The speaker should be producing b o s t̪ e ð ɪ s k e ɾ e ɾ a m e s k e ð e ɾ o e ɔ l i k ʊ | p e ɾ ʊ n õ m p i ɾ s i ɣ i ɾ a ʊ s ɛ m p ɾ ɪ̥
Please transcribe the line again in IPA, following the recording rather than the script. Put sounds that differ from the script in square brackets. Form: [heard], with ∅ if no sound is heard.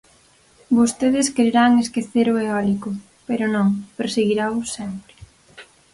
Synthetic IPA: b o s t̪ e ð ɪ s k e ɾ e ɾ a [ŋ] e s k e [θ] e ɾ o e ɔ l i k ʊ | p e ɾ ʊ n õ [ŋ] p [e] ɾ s [e] ɣ i ɾ a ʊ s ɛ m p ɾ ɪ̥